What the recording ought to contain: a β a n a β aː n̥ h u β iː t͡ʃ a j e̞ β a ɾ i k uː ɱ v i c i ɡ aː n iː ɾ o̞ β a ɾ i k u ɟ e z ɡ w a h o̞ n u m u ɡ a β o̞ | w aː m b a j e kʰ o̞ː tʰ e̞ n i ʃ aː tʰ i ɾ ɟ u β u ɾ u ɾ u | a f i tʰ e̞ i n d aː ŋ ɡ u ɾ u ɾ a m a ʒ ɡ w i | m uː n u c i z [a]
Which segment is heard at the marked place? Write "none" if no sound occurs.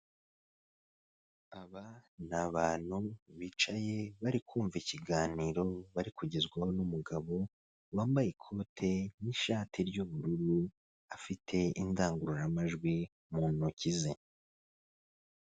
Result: e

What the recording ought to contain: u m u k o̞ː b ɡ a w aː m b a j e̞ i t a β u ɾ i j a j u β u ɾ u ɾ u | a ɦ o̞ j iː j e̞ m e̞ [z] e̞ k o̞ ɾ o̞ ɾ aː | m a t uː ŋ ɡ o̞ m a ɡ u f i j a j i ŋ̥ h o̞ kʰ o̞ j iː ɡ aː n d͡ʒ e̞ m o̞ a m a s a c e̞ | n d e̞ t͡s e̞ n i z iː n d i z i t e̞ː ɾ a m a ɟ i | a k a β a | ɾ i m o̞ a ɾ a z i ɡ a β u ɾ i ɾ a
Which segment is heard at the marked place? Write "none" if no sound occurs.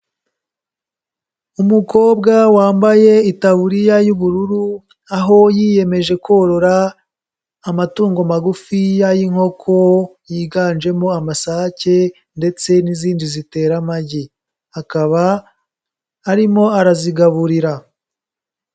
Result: ʒ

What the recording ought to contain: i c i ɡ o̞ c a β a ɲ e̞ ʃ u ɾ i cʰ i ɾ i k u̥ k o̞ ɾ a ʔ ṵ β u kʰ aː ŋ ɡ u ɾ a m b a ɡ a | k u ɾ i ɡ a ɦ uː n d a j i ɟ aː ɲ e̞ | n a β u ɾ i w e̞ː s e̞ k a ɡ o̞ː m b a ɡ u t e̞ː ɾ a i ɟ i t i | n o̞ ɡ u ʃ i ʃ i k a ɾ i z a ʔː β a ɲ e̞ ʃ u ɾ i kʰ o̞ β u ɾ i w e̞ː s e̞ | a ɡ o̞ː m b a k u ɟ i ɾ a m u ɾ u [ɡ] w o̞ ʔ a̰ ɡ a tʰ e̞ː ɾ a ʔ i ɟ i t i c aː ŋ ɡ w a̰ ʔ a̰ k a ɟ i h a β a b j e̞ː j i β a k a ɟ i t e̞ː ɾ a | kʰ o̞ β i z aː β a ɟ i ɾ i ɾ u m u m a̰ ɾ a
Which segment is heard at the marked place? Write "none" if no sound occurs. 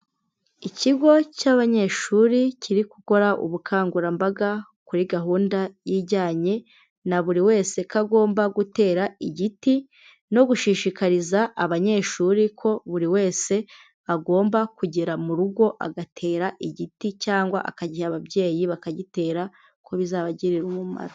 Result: ɡ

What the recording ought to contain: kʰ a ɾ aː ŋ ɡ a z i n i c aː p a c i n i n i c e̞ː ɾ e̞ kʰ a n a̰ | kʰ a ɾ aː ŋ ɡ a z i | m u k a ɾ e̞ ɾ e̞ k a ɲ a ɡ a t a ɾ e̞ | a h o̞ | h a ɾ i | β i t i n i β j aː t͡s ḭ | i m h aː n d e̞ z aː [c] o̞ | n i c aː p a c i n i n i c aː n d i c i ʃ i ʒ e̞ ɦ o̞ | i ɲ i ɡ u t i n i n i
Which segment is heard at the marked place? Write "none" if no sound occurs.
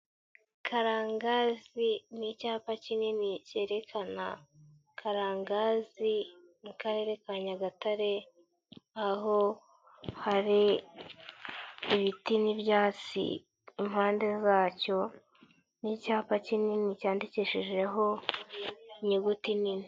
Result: c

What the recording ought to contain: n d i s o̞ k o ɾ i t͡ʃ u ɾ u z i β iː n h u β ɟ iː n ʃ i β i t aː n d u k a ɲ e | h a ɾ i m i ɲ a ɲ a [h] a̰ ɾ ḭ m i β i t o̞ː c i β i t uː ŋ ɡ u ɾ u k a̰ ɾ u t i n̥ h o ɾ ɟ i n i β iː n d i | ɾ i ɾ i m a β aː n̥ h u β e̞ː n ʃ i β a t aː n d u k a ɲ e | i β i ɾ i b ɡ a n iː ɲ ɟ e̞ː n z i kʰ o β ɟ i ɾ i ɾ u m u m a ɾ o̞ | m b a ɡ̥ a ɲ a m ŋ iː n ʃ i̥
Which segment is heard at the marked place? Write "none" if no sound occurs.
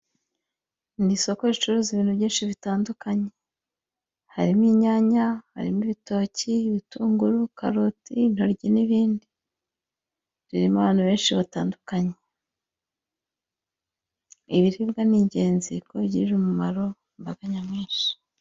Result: h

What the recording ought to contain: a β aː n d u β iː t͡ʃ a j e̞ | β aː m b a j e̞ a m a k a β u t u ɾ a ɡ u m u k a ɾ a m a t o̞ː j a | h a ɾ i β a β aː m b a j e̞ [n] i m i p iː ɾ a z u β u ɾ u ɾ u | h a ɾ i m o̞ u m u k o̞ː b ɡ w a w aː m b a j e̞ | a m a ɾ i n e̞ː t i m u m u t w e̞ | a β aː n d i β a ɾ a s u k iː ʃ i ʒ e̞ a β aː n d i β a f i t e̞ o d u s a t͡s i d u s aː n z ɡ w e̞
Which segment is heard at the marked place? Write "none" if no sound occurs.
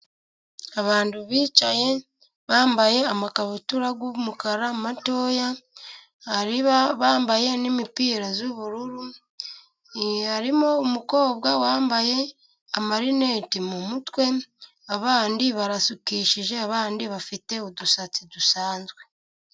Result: n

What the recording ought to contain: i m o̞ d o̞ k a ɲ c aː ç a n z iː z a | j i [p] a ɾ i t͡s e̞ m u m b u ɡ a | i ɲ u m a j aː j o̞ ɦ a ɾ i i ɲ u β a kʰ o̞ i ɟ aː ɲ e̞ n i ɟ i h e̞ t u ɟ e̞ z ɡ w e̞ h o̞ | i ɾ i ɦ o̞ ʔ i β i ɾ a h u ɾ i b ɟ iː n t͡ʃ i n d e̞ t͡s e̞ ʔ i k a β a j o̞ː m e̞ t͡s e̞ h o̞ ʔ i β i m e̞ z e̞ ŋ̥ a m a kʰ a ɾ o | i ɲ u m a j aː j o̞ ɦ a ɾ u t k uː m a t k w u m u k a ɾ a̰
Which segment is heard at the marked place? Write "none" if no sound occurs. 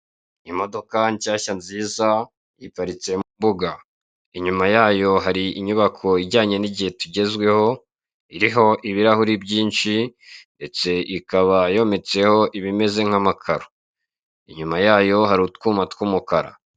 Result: p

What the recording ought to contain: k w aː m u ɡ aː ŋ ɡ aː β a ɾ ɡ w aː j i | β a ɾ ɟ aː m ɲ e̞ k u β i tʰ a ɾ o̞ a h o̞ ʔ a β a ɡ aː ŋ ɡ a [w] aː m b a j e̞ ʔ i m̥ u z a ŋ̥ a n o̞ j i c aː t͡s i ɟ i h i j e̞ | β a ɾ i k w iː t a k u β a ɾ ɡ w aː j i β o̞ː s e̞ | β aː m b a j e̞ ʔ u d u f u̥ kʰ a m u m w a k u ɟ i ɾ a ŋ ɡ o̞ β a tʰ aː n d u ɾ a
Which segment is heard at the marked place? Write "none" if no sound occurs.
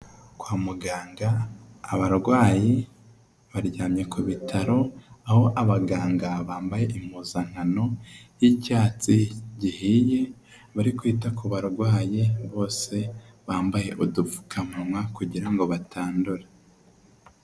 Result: β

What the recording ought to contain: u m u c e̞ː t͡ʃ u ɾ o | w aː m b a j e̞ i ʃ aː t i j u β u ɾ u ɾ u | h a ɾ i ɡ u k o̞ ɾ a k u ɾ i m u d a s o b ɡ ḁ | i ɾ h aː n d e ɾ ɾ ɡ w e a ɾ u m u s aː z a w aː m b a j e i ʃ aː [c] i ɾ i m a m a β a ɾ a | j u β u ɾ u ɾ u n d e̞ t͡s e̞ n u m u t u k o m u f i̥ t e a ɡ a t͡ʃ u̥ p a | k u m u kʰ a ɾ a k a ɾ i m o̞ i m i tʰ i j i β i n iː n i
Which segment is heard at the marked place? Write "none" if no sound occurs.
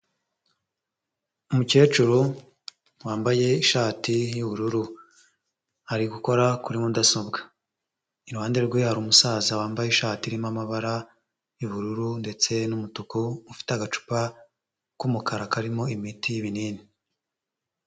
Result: t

